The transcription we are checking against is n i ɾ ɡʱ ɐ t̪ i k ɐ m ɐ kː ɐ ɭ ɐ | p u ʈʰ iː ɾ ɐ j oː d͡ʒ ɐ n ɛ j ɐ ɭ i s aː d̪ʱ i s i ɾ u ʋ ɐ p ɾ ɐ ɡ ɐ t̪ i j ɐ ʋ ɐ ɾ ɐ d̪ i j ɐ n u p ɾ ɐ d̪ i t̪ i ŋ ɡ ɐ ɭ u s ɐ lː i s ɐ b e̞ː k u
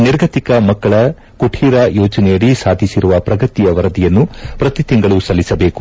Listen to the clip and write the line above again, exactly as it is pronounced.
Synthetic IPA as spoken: n i ɾ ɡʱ ɐ t̪ i k ɐ m ɐ kː ɐ ɭ ɐ | k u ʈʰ iː ɾ ɐ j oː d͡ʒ ɐ n ɛ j ɐ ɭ i s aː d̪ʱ i s i ɾ u ʋ ɐ p ɾ ɐ ɡ ɐ t̪ i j ɐ ʋ ɐ ɾ ɐ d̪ i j ɐ nː u p ɾ ɐ t̪ i t̪ i ŋ ɡ ɐ ɭ u s ɐ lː i s ɐ b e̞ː k u

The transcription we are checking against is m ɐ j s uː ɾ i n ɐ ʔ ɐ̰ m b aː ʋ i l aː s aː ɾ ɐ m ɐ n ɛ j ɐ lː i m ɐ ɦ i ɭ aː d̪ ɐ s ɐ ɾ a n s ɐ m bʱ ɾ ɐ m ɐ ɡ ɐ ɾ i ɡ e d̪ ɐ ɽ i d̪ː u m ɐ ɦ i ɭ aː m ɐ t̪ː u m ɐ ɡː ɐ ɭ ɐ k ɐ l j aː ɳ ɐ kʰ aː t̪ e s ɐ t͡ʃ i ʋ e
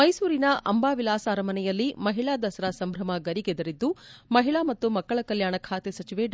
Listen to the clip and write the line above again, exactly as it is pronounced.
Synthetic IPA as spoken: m ɐ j s uː ɾ i n ɐ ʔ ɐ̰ m b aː ʋ i l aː s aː ɾ ɐ m ɐ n ɛ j ɐ lː i m ɐ ɦ i ɭ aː d̪ ɐ s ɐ ɾ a s ɐ m bʱ ɾ ɐ m ɐ ɡ ɐ ɾ i ɡ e d̪ ɐ ɾ i d̪ː u m ɐ ɦ i ɭ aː m ɐ t̪ː u m ɐ kː ɐ ɭ ɐ k ɐ l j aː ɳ ɐ kʰ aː t̪ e s ɐ t͡ʃ i ʋ e

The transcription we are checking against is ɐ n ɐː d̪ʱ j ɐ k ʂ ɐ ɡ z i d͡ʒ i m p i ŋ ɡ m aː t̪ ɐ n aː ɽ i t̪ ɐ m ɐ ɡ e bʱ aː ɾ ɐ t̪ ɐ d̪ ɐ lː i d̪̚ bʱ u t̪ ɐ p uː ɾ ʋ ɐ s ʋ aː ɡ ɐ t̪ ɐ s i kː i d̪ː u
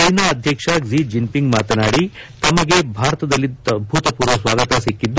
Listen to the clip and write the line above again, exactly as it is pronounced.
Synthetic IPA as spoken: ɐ n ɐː d̪ʱ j ɐ k ʂ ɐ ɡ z i d͡ʒ i m p i ŋ ɡ m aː t̪ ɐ n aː ɽ i t̪ ɐ m ɐ ɡ e bʱ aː ɾ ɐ t̪ ɐ d̪ ɐ lː i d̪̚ bʱ u t̪ ɐ p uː ɾ ʋ ɐ s ʋ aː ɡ ɐ t̪ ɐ s i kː i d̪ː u

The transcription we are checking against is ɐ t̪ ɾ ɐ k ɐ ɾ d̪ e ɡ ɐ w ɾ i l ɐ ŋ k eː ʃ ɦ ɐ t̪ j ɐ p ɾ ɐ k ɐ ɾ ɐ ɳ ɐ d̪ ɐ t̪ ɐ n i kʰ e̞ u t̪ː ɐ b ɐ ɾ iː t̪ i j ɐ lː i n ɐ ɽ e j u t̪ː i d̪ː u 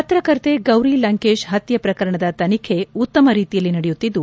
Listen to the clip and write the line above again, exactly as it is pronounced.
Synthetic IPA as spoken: ɐ t̪ ɾ ɐ k ɐ ɾ t̪ e ɡ ɐ w ɾ i l ɐ ŋ k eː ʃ ɦ ɐ t̪ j ɐ p ɾ ɐ k ɐ ɾ ɐ ɳ ɐ d̪ ɐ t̪ ɐ n i kʰ e̞ u t̪ː ɐ m ɐ ɾ iː t̪ i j ɐ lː i n ɐ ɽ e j u t̪ː i d̪ː u

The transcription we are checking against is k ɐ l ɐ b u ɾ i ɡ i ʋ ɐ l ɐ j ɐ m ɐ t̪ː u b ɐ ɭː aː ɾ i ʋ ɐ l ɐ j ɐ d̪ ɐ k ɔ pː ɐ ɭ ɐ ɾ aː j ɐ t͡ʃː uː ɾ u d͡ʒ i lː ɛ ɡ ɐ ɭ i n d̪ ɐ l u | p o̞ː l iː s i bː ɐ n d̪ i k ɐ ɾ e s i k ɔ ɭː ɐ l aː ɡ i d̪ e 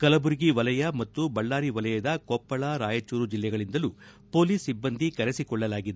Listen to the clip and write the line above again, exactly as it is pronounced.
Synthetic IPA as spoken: k ɐ l ɐ b u ɾ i ɡ i ʋ ɐ l ɐ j ɐ m ɐ t̪ː u b ɐ ɭː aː ɾ i ʋ ɐ l ɐ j ɐ d̪ ɐ k ɔ pː ɐ ɭ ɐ ɾ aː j ɐ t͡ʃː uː ɾ u d͡ʒ i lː ɛ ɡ ɐ ɭ i n d̪ ɐ l u | p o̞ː l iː s i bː ɐ n d̪ i k ɐ ɾ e s i k ɔ ɭː ɐ l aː ɡ i d̪ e

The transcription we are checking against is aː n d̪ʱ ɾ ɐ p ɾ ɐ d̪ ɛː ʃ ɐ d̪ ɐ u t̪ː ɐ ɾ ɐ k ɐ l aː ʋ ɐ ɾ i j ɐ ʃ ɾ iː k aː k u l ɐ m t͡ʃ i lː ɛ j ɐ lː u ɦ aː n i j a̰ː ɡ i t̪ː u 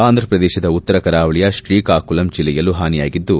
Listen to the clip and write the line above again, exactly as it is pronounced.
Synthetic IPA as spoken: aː n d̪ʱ ɾ ɐ p ɾ ɐ d̪ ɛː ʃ ɐ d̪ ɐ u t̪ː ɐ ɾ ɐ k ɐ ɾ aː ʋ ɐ ɭ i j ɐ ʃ ɾ iː k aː k u l ɐ m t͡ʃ i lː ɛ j ɐ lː u ɦ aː n i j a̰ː ɡ i d̪ː u

